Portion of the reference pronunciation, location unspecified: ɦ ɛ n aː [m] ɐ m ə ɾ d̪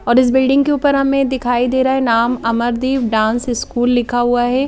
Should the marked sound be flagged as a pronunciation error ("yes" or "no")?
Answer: no